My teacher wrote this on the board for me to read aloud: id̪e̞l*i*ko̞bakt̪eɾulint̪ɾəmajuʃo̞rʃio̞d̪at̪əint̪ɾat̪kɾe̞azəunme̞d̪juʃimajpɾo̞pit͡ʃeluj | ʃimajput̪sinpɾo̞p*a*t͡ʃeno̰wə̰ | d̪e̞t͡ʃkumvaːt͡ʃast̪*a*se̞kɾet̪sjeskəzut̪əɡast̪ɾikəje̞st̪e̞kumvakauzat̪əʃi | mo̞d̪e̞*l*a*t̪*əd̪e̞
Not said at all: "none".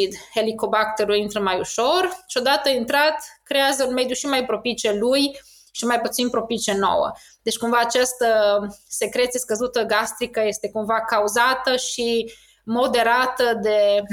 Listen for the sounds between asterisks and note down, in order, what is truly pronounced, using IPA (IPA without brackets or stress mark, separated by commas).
i, i, ə, ɾ, t̪